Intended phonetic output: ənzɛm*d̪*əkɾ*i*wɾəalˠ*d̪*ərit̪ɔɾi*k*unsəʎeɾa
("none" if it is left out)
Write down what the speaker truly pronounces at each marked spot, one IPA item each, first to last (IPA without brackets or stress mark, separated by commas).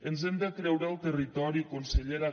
d̪, ɛ, t̪, k